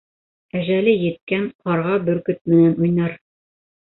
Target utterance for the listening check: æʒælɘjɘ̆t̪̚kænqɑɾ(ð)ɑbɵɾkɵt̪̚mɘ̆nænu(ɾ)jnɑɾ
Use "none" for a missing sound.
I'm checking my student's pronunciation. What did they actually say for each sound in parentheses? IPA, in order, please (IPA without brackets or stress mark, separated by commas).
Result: ʁ, none